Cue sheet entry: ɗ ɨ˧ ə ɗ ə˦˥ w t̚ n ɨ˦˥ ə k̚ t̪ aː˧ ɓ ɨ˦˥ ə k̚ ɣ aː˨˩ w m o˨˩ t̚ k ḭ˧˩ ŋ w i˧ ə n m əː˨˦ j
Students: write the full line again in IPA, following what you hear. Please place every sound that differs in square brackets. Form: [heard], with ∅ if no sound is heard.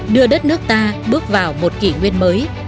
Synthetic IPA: ɗ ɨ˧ ə ɗ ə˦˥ [∅] t̚ n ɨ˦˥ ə k̚ t̪ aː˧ ɓ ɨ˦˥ ə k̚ [v] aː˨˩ w m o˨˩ t̚ k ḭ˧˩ ŋ w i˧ ə n m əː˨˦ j

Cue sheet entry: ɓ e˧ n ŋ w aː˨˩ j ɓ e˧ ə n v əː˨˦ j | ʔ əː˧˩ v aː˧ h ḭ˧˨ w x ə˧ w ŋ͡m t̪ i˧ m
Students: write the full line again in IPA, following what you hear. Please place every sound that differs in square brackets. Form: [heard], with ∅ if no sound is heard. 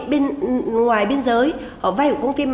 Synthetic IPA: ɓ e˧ n ŋ w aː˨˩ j ɓ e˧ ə n [z] əː˨˦ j | ʔ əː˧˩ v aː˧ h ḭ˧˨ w [k] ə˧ w ŋ͡m t̪ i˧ m

